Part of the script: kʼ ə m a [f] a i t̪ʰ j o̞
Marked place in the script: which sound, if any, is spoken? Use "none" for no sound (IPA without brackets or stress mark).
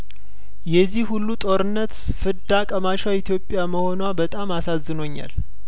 ʃ